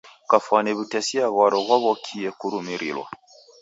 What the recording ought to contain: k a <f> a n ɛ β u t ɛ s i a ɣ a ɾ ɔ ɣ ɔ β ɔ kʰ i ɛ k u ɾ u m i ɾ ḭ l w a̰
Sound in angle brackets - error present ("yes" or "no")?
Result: no